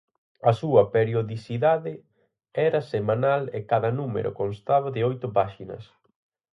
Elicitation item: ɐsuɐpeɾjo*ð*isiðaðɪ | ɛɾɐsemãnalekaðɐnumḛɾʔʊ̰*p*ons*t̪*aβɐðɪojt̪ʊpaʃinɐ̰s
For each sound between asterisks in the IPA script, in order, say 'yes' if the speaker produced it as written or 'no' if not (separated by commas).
yes, no, yes